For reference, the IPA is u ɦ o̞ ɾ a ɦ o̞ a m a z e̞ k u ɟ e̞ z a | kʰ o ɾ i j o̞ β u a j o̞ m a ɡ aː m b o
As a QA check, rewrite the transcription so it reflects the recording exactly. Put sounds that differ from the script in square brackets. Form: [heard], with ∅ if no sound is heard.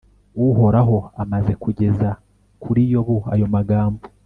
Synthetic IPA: u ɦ o̞ ɾ a ɦ o̞ a m a z e̞ k u ɟ e̞ z a | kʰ [u] ɾ i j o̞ β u a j o̞ m a ɡ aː m b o